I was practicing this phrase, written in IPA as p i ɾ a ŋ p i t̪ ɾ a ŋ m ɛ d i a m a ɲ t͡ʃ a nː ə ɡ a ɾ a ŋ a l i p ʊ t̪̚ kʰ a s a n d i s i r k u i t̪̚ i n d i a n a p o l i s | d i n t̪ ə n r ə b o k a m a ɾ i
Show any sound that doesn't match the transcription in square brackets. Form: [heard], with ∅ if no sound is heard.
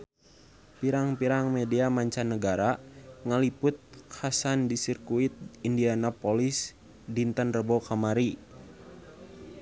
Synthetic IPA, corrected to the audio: p i ɾ a ŋ p i [∅] ɾ a ŋ m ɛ d i a m a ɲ t͡ʃ a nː ə ɡ a ɾ a ŋ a l i p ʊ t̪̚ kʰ a s a n d i s i r k u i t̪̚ i n d i a n a p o l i s | d i n t̪ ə n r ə b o k a m a ɾ i